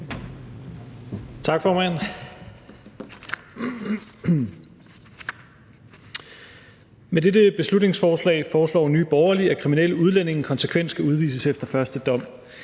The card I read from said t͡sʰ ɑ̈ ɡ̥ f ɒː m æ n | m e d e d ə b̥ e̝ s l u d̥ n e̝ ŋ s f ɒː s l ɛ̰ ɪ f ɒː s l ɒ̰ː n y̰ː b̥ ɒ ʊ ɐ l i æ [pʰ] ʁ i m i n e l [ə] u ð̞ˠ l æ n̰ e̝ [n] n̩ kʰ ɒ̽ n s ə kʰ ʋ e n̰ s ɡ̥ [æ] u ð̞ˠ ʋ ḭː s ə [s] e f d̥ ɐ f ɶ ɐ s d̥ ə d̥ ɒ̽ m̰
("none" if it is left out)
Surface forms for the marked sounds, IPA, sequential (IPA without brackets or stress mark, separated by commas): kʰ, ə, ŋ, æ, s